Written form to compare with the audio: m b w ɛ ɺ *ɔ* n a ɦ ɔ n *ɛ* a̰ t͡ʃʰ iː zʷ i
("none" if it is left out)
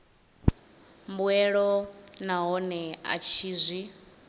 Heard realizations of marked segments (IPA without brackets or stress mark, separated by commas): ɔ, ɛ